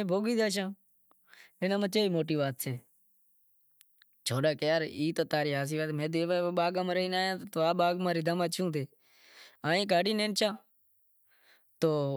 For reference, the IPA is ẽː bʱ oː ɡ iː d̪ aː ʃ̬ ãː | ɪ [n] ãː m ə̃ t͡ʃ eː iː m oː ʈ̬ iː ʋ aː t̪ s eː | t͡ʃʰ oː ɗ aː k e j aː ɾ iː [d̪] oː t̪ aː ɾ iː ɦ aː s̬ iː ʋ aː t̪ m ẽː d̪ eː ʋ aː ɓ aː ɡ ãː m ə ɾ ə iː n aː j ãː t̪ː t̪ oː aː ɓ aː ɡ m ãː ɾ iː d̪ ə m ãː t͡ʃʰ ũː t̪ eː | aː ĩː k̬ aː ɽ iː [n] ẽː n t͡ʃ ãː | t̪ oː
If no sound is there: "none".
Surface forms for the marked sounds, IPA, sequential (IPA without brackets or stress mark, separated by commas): n, t̪, n